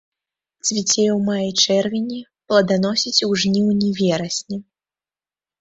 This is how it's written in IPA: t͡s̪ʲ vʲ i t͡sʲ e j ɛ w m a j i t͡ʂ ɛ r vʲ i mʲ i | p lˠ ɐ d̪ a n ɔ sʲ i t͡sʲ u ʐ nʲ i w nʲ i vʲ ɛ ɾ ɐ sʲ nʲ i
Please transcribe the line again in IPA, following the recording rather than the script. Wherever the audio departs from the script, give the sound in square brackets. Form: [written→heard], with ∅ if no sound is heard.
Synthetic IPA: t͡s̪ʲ vʲ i t͡sʲ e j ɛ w m a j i t͡ʂ ɛ r vʲ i [mʲ→nʲ] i | p lˠ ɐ d̪ a n ɔ sʲ i t͡sʲ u ʐ nʲ i w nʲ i vʲ ɛ ɾ ɐ sʲ nʲ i